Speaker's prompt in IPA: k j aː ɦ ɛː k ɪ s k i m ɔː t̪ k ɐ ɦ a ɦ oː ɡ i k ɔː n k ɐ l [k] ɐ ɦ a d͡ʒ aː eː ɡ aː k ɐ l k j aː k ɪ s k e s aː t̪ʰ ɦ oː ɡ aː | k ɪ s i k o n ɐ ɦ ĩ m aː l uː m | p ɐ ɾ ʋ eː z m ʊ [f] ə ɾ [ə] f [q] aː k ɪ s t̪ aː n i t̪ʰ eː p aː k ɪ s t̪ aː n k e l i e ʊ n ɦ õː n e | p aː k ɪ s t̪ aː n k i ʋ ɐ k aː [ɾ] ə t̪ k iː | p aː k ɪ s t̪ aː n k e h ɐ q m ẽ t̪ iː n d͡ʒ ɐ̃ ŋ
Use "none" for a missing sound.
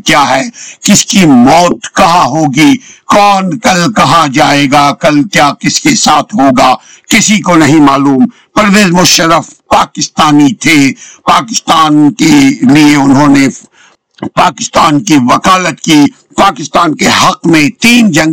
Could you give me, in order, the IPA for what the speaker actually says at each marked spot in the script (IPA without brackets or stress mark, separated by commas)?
k, ʃ, ə, p, l